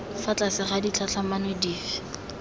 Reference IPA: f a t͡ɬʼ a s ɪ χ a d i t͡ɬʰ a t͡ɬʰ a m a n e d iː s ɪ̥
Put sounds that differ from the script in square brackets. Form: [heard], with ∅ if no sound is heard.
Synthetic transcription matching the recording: f a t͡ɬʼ a s ɪ χ a d i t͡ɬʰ a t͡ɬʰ a m a n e d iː [f] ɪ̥